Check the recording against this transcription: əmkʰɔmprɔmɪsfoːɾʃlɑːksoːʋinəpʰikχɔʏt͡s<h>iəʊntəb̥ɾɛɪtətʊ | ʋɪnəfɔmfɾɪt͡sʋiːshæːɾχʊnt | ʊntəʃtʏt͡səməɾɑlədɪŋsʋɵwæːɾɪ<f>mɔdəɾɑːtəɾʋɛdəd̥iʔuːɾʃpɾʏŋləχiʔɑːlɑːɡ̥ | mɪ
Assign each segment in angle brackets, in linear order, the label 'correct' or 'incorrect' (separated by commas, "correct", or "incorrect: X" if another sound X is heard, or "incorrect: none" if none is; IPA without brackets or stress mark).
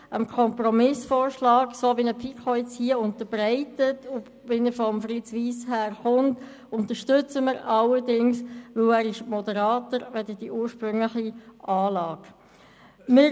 correct, incorrect: ʃ